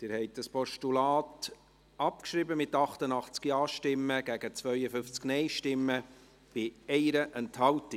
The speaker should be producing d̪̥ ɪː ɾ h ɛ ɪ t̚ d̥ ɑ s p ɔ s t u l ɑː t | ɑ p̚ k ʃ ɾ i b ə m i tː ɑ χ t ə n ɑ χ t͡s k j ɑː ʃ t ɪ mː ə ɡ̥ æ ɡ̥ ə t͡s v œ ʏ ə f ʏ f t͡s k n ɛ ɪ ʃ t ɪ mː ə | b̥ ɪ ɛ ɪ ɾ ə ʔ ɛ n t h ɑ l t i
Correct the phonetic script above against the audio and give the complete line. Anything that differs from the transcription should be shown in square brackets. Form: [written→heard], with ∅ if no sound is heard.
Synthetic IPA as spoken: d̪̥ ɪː ɾ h ɛ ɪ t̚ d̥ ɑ s p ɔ [s→ʃ] t u l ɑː t | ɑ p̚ k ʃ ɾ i b ə m [i→ɪ] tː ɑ χ t ə n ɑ χ t͡s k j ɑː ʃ t ɪ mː ə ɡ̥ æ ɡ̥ ə t͡s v œ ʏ ə f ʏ f t͡s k n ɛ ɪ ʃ t ɪ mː ə | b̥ ɪ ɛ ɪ ɾ ə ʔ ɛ n t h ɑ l t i